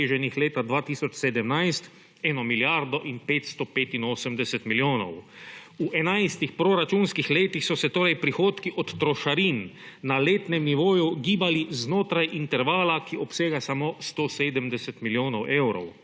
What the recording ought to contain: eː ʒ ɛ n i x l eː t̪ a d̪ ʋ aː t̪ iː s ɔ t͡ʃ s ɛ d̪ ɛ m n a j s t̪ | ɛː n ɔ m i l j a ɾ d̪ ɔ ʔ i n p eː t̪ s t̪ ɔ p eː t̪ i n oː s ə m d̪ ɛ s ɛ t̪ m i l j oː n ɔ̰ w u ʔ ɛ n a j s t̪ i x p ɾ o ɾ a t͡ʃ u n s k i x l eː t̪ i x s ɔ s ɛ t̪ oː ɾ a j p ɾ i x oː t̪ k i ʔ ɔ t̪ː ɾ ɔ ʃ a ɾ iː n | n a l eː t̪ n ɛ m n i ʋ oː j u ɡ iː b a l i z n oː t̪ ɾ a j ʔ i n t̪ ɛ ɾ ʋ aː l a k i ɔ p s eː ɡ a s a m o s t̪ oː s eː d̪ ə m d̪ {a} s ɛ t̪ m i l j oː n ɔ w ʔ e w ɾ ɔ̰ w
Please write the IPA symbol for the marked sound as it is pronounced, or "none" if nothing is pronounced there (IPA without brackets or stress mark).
ɛ